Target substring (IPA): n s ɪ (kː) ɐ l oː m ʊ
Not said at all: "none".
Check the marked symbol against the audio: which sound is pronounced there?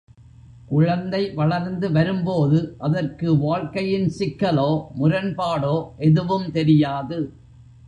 kː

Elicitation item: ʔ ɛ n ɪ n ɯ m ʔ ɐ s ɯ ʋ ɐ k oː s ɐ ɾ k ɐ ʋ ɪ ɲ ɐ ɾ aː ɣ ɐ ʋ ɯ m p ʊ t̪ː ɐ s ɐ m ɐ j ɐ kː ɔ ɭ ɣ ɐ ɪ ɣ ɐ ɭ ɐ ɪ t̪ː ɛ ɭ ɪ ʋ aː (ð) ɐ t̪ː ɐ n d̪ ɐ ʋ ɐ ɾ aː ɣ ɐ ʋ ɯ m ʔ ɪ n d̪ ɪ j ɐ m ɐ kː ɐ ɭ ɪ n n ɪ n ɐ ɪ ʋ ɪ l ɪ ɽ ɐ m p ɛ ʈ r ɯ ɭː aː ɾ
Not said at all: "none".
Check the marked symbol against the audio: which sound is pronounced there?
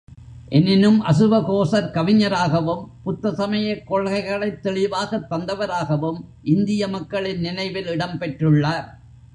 ɣ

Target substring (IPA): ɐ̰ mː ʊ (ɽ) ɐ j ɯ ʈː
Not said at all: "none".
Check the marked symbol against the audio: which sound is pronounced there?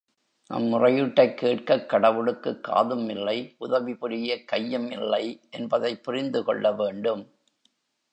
r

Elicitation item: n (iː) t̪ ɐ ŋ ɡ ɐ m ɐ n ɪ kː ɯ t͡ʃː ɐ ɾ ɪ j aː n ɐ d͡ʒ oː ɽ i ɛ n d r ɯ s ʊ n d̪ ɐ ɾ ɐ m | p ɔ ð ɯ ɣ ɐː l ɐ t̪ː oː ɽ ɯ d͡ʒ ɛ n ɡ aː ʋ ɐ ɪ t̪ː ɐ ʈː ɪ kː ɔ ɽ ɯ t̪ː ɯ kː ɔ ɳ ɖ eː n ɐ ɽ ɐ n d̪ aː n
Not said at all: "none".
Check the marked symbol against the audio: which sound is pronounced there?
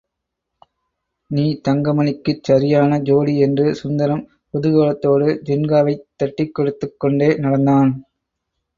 iː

